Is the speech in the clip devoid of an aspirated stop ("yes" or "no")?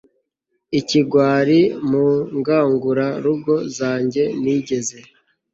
yes